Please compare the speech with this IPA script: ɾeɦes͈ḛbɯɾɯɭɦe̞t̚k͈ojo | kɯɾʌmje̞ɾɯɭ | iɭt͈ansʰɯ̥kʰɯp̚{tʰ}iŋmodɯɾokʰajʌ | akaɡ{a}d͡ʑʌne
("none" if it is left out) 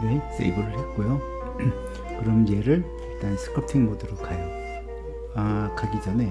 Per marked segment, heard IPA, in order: tʰ, i

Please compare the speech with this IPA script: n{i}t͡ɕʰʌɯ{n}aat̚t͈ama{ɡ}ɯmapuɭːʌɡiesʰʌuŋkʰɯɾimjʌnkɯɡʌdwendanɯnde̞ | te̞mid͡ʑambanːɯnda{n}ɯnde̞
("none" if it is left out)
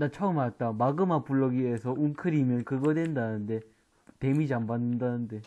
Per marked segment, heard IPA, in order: a, m, ɡ, n

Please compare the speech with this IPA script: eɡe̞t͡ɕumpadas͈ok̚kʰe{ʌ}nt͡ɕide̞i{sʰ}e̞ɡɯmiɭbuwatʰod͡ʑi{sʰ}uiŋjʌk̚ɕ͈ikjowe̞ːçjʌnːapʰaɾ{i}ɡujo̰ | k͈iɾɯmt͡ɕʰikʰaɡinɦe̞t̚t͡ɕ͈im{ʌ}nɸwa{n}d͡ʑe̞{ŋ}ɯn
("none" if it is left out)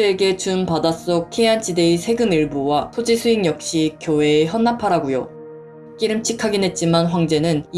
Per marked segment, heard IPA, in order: a, sʰ, sʰ, a, a, ŋ, n

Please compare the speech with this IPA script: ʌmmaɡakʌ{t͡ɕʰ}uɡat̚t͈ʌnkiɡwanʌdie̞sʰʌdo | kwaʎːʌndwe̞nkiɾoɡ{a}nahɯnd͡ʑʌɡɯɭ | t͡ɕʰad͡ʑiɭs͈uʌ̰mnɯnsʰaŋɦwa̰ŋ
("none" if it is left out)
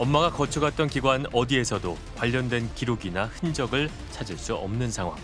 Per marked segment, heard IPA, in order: t͡ɕʰ, i

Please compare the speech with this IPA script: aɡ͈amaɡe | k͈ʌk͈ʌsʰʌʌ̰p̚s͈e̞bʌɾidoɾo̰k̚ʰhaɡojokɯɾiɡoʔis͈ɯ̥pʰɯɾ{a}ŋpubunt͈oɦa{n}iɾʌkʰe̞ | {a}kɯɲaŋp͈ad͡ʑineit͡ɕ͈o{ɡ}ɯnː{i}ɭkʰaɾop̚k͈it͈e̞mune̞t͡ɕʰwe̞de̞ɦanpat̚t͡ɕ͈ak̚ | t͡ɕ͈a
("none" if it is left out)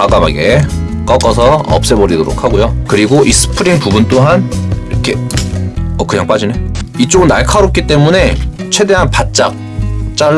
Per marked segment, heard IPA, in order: i, n, ʌ, ɡ, a

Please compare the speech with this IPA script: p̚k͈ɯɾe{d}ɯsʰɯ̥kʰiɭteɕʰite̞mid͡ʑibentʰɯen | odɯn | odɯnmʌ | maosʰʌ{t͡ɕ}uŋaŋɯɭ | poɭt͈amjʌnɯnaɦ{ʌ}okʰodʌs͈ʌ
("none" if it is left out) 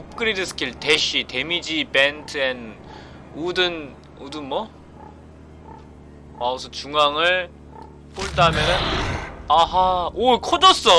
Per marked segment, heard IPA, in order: d, t͡ɕ, a

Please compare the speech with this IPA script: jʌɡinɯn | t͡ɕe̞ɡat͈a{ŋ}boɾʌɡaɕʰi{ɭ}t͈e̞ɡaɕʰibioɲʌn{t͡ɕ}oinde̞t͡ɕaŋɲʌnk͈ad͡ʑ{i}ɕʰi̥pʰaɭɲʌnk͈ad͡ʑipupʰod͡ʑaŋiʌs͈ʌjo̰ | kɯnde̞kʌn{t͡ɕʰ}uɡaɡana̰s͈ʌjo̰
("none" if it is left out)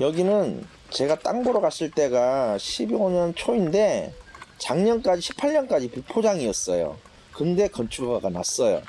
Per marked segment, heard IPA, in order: ŋ, ɭ, t͡ɕʰ, i, t͡ɕʰ

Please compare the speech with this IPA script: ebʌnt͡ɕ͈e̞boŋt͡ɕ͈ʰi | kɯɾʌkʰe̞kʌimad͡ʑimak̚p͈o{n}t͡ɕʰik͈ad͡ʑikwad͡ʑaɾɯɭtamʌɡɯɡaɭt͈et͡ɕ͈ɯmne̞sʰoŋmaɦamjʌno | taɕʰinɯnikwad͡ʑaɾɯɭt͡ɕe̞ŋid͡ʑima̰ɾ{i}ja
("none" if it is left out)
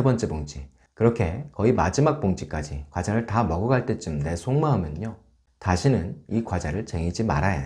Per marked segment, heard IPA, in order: ŋ, a

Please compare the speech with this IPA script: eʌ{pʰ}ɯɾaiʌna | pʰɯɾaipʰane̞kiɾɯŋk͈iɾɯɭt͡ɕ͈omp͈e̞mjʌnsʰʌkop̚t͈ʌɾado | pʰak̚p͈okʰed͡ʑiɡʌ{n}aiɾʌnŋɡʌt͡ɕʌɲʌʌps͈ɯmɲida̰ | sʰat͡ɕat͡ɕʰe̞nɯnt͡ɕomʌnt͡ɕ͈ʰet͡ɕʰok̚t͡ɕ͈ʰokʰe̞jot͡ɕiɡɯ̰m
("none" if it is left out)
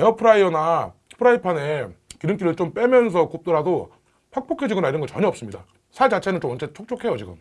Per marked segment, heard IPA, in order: pʰ, n

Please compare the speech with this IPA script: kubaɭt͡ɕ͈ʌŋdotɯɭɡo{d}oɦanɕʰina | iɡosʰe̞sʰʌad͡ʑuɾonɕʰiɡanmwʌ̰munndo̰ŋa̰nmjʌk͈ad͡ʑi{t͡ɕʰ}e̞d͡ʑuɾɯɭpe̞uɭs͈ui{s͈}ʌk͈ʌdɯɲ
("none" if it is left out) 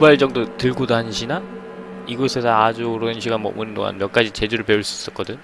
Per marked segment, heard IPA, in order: d, t͡ɕ, s͈

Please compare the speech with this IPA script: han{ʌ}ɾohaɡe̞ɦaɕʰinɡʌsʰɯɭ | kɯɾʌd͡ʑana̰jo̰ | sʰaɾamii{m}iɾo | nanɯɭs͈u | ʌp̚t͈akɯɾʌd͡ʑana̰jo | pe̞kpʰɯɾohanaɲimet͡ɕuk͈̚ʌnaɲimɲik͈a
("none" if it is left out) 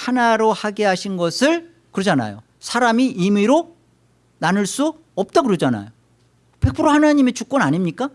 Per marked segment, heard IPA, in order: a, m

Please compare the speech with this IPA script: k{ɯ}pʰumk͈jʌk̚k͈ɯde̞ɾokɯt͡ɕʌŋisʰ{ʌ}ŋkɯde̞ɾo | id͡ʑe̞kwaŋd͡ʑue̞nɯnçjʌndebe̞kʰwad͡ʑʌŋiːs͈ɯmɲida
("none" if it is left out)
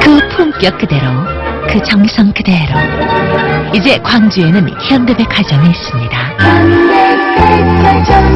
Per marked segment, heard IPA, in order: ɯ, ʌ

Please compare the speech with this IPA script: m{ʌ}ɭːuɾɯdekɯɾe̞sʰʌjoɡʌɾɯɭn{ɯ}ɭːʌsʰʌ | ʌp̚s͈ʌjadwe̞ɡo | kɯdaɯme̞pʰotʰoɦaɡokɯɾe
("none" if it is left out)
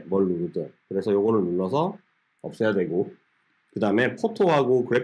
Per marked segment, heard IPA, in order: ʌ, u

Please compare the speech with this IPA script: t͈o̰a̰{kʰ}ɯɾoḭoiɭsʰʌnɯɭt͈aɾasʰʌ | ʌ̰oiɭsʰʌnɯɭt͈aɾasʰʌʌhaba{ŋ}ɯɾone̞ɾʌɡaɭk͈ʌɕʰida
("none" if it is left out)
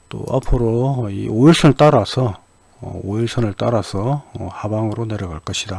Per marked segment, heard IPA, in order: pʰ, ŋ

